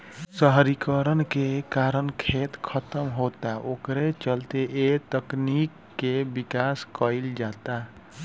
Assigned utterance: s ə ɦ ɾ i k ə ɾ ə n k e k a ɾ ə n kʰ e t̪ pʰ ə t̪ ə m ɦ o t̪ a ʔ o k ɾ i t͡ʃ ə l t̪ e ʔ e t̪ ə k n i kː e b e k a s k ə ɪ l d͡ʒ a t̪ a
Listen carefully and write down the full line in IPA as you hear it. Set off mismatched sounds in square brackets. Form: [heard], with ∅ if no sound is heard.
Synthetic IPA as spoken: s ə ɦ ɾ i k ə ɾ ə n k e k a ɾ ə n kʰ e t̪ [kʰ] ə t̪ ə m ɦ o t̪ a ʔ o k ɾ [e] t͡ʃ ə l t̪ e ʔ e t̪ ə k n i kː e b [i] k a s k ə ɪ l d͡ʒ a t̪ a